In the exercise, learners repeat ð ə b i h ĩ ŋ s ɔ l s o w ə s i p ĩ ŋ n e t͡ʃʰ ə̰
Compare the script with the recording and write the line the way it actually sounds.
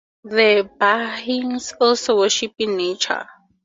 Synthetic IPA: ð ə b a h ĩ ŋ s ɔ l s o w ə ʃ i p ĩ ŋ n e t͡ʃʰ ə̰